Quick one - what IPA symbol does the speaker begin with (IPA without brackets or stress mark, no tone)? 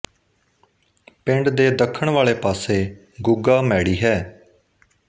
p